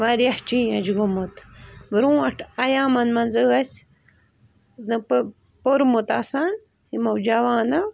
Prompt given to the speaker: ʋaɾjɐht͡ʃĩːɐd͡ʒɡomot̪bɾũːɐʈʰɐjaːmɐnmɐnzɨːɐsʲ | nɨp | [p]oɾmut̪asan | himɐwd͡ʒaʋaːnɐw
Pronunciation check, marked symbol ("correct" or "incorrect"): correct